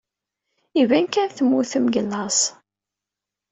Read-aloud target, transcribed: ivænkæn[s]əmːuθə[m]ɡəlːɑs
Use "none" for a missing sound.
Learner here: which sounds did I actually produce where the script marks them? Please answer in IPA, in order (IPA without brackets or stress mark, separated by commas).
θ, m